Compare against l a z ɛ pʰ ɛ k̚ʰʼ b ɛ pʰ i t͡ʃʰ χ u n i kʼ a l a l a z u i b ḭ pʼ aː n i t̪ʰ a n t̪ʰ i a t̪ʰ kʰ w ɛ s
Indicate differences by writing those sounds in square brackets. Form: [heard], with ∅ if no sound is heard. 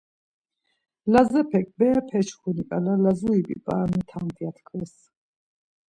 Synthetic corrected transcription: l a z ɛ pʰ ɛ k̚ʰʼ b ɛ pʰ [ɛ] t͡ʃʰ χ u n i kʼ a l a l a z u i b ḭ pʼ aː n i t̪ʰ a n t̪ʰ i a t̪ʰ kʰ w ɛ s

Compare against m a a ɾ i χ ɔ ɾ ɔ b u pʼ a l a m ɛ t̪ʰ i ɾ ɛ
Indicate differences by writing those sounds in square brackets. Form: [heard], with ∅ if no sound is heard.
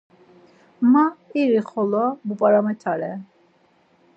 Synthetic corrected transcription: m a [i] ɾ i χ ɔ [l] ɔ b u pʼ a [ɾ] a m ɛ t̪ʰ [a] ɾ ɛ

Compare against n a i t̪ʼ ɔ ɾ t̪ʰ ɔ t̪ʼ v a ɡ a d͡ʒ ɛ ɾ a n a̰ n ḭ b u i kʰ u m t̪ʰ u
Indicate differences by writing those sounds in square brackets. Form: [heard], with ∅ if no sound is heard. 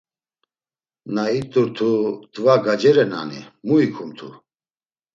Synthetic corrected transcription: n a i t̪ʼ [u] ɾ t̪ʰ [u] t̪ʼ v a ɡ a d͡ʒ ɛ ɾ [ɛ] n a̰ n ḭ [m] u i kʰ u m t̪ʰ u

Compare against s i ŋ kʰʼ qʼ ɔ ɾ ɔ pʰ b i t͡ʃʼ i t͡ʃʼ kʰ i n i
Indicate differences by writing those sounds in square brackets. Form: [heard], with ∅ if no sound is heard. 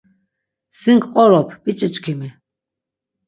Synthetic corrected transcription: s i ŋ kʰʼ qʼ ɔ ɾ ɔ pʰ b i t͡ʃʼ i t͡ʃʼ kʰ i [m] i

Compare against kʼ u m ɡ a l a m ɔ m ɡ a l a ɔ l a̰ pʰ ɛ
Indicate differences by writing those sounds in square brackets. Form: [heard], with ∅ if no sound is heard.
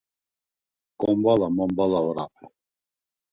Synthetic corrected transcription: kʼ [ɔ] m [b] a l a m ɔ m [b] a l a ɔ [ɾ] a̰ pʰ ɛ

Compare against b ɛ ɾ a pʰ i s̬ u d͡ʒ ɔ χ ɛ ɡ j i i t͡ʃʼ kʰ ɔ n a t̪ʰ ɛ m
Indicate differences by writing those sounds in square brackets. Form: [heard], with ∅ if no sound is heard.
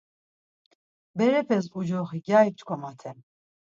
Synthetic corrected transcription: b ɛ ɾ [ɛ] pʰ [ɛ] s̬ u d͡ʒ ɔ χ [i] ɡ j [a] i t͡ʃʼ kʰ ɔ [m] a t̪ʰ ɛ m

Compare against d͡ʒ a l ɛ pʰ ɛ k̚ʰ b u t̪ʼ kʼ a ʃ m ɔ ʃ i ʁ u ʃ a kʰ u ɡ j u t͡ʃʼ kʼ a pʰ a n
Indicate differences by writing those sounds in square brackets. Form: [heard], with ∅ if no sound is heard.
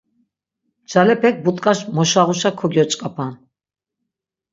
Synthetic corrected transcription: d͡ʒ a l ɛ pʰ ɛ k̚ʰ b u t̪ʼ kʼ a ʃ m ɔ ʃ [a] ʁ u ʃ a kʰ [ɔ] ɡ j [ɔ] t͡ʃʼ kʼ a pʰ a n

